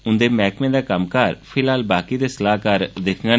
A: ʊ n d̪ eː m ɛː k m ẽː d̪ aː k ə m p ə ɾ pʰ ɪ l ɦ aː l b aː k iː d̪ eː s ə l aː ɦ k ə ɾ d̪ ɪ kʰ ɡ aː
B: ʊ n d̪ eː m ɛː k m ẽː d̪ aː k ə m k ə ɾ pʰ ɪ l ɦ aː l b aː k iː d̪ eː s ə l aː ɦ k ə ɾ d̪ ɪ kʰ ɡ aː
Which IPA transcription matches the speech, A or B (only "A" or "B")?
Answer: B